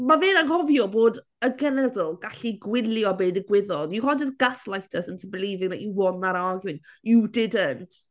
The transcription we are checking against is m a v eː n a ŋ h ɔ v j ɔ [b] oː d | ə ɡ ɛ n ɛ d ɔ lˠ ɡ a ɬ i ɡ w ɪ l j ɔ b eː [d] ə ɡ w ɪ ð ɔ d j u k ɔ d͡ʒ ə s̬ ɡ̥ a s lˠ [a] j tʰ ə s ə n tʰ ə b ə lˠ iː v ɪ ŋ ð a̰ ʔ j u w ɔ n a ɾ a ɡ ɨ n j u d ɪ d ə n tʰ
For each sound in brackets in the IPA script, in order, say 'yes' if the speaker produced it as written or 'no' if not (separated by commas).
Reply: yes, yes, yes